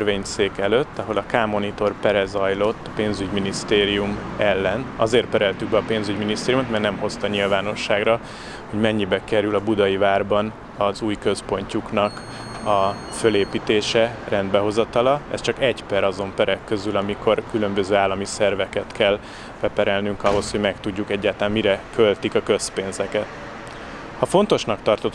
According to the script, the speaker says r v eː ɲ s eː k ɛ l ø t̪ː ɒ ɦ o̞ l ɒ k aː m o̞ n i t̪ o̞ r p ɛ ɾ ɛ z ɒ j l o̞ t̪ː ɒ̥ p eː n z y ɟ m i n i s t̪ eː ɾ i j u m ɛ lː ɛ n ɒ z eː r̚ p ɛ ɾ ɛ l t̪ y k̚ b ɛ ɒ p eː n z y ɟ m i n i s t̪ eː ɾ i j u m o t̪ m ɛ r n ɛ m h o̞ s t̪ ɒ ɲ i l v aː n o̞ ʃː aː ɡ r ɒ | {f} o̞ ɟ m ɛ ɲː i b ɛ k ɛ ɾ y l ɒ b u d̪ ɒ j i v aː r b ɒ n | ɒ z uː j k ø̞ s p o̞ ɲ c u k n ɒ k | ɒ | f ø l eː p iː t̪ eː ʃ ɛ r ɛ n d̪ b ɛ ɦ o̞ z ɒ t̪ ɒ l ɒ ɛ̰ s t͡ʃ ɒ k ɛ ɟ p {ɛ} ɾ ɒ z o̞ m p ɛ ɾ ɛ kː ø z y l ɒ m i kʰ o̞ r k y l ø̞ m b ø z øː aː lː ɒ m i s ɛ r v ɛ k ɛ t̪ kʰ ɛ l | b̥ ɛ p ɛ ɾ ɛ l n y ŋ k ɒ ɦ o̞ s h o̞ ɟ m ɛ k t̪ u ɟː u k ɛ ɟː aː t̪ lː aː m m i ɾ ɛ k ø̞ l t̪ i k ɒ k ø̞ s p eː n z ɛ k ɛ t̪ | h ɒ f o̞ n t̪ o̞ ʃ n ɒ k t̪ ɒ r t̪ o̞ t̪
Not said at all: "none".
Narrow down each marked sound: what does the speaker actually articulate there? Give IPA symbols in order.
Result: h, ɛ

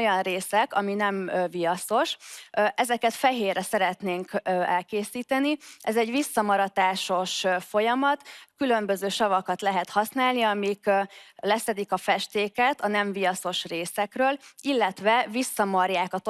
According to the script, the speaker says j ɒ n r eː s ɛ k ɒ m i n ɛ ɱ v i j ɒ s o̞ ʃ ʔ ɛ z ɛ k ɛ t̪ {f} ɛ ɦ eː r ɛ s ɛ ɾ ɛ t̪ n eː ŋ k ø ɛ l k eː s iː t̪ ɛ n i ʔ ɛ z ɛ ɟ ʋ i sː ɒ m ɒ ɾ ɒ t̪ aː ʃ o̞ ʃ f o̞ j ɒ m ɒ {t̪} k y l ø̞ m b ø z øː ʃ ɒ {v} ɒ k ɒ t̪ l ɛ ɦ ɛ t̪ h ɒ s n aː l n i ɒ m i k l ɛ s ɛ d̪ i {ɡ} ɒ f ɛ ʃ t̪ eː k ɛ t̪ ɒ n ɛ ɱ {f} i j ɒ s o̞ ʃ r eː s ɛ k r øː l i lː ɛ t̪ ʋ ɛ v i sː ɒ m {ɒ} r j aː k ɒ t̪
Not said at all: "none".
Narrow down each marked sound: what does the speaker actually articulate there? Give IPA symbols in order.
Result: f, t̪, v, k, v, ɒ

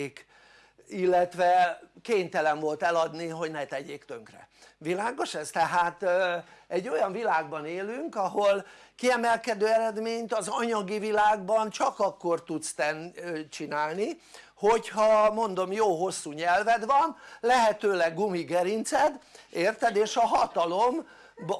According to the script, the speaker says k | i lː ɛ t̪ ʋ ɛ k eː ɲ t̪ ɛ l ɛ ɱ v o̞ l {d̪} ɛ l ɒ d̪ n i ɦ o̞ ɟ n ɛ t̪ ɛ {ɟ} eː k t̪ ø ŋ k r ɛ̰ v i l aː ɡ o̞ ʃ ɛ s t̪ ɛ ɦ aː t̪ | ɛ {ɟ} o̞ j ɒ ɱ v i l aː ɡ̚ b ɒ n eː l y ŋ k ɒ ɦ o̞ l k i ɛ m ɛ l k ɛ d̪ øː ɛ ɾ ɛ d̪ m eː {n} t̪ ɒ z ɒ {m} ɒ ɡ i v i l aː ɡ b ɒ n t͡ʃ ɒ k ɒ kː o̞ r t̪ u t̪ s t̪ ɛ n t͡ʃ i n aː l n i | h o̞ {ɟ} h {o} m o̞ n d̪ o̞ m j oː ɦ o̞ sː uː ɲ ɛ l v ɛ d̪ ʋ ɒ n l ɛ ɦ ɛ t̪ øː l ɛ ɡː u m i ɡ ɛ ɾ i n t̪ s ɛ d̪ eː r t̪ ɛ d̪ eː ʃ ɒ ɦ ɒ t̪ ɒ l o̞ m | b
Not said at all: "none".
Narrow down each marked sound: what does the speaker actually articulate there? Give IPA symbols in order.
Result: t̪, ɟ, ɟː, ɲ, ɲ, c, ɒ

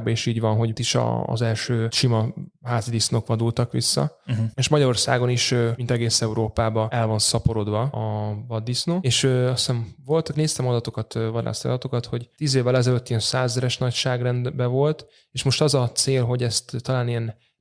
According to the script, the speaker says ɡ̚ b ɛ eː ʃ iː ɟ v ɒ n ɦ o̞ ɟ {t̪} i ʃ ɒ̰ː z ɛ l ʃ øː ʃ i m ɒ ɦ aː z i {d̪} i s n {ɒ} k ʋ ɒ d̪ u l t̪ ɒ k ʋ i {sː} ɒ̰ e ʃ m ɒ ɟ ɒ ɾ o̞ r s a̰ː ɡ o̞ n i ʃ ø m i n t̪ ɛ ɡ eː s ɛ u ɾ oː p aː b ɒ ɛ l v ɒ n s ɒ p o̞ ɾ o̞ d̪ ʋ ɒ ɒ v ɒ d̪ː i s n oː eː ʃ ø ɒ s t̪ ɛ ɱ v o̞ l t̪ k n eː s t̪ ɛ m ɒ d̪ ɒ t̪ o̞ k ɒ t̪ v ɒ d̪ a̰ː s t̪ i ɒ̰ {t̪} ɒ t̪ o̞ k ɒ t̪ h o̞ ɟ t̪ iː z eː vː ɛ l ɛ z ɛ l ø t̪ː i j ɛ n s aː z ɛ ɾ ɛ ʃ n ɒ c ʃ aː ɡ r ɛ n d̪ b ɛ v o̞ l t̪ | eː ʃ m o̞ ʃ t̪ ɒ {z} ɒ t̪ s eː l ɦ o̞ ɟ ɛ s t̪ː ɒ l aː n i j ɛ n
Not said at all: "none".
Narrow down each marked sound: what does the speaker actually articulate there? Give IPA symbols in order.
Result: t̪, d̪, o, sː, d̪, z

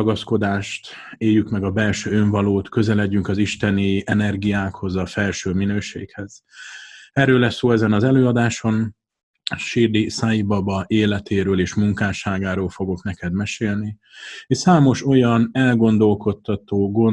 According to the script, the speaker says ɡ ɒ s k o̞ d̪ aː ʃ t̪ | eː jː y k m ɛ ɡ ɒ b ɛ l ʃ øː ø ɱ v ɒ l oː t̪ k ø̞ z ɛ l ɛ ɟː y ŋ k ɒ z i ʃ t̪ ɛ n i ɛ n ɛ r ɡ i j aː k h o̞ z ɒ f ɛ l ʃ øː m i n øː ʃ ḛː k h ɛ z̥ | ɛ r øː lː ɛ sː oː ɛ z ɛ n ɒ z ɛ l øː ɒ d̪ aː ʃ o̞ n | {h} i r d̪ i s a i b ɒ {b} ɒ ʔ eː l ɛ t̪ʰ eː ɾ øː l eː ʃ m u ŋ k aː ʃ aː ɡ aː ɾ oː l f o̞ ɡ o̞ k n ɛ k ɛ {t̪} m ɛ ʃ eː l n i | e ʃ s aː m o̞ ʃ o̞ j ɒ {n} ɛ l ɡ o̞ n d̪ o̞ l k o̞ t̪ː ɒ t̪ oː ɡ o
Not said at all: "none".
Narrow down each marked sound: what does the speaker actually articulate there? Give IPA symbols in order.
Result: ʃ, b, d̪, n

